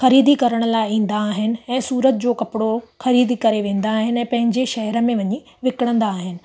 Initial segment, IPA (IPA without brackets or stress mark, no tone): x